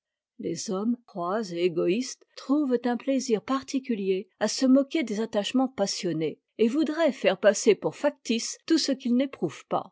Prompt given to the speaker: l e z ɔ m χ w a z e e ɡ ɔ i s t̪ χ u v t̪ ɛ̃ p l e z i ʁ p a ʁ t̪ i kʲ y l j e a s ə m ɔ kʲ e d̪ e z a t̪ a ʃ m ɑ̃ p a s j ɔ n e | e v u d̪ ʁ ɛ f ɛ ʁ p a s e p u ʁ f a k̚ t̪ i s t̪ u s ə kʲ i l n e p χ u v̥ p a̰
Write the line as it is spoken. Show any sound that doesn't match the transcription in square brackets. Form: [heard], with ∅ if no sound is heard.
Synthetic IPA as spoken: l e z ɔ m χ w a z e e ɡ ɔ i s t̪ χ u v t̪ ɛ̃ p l e z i ʁ p a ʁ t̪ i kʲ y l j e a s ə m ɔ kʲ e d̪ e z a t̪ a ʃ m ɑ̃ p a s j ɔ n e | e v u d̪ ʁ ɛ f ɛ ʁ p a s e p u ʁ f a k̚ t̪ i s t̪ u s ə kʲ i l n e p χ u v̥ p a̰